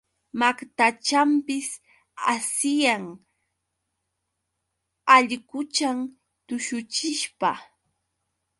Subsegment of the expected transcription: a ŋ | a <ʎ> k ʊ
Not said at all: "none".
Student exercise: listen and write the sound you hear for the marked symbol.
ʎ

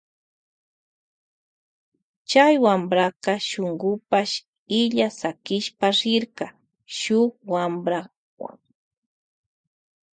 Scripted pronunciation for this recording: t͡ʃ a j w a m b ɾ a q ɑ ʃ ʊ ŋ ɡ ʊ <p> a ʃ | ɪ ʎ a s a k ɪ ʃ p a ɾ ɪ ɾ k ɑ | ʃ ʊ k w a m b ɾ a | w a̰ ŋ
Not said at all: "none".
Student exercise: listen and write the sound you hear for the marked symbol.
p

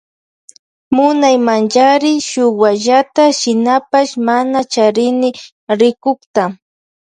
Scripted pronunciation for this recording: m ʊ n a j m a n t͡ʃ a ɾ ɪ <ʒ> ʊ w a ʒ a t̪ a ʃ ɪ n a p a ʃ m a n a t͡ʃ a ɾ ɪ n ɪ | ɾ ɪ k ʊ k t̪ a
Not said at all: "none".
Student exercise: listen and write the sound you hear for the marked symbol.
ʃ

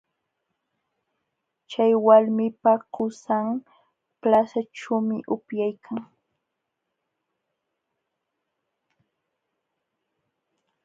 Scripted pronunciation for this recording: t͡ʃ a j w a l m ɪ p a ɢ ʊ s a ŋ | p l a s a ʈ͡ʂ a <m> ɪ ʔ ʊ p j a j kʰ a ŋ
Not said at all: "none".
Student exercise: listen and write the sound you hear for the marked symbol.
m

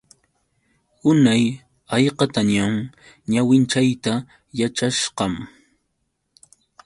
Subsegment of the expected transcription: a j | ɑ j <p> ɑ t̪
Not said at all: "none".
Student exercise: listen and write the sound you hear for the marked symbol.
q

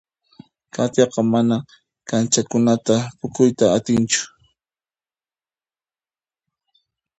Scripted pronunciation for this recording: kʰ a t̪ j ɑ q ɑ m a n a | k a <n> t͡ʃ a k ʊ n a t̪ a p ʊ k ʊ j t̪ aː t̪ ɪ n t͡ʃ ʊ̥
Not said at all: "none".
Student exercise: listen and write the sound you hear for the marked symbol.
n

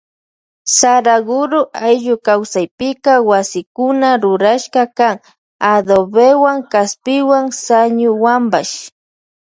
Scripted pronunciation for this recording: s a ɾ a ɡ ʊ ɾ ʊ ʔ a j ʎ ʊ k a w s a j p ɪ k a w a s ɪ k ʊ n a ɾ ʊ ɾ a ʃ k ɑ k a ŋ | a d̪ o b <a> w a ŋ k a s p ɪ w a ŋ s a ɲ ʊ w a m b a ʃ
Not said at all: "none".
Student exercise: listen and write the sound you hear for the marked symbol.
e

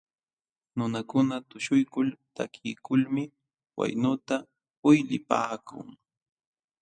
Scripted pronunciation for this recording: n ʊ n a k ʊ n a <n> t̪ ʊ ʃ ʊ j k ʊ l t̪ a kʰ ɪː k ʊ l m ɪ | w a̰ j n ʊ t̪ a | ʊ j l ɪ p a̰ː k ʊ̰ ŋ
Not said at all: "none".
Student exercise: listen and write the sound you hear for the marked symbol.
none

